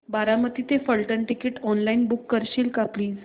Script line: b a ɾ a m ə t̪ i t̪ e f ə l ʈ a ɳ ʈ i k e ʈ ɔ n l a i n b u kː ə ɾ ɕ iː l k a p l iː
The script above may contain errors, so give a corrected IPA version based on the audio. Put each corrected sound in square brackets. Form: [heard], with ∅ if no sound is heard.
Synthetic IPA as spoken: b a ɾ a m ə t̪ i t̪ e f ə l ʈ [ə] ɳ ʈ i k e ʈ ɔ n l a i n b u kː ə ɾ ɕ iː l k a p l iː